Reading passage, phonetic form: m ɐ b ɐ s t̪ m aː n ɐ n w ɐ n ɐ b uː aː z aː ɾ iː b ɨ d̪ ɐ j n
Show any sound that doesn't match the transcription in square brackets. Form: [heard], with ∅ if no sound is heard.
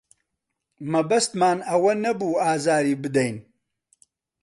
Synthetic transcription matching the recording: m ɐ b ɐ s t̪ m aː n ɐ [∅] w ɐ n ɐ b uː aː z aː ɾ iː b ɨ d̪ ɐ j n